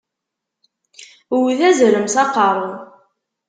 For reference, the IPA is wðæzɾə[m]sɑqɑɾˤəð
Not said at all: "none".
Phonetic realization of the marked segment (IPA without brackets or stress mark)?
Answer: m